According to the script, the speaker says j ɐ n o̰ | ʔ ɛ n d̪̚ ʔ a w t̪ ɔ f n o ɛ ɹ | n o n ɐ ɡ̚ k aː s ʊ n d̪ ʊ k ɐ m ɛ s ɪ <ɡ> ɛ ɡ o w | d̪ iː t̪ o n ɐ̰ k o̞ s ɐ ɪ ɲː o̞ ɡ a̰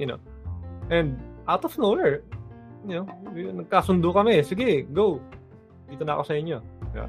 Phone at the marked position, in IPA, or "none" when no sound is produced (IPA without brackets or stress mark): ɡ